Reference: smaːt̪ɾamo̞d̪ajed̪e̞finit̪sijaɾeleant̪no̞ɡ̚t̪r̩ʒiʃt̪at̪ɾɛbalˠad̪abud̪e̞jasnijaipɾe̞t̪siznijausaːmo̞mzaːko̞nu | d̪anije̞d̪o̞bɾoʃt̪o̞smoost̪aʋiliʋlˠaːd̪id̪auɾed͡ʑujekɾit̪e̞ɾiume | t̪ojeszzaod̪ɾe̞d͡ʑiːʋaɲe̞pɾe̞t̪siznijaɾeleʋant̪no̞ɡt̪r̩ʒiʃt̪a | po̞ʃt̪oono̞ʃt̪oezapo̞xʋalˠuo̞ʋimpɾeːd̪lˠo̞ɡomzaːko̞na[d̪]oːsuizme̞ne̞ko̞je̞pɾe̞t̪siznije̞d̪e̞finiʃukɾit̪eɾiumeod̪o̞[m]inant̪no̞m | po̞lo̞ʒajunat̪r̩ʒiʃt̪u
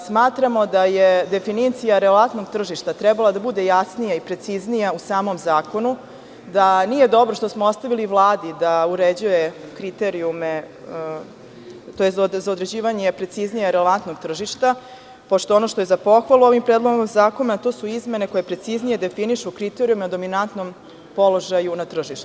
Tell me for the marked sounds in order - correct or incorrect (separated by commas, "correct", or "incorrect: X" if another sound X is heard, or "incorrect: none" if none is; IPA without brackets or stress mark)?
incorrect: t̪, correct